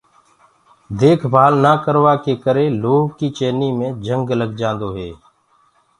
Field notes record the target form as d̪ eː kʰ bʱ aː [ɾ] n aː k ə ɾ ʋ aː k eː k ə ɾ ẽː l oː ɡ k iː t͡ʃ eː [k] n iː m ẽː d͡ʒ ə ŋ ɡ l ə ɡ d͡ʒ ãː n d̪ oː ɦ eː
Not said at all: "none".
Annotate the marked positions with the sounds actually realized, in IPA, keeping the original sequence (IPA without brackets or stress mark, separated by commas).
l, none